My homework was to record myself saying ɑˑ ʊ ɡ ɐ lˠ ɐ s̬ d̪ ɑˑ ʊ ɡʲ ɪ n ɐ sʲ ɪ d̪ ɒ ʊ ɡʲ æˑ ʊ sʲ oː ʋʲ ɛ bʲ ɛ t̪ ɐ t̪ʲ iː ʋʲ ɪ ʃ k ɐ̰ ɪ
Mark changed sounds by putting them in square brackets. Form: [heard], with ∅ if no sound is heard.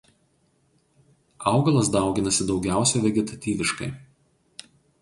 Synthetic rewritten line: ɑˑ ʊ ɡ ɐ lˠ ɐ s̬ d̪ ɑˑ ʊ ɡʲ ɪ n ɐ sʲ ɪ d̪ ɒ ʊ ɡʲ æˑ ʊ sʲ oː ʋʲ ɛ [ɡʲ] ɛ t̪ ɐ t̪ʲ iː ʋʲ ɪ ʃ k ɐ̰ ɪ